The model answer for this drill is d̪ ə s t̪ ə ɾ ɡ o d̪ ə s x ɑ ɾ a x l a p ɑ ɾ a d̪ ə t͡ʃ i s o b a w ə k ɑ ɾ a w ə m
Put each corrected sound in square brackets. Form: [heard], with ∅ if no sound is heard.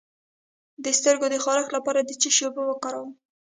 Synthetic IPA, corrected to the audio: d̪ ə s t̪ ə ɾ ɡ o d̪ ə [∅] x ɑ ɾ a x l a p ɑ ɾ a d̪ ə t͡ʃ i [ʃ] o b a w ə k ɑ ɾ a w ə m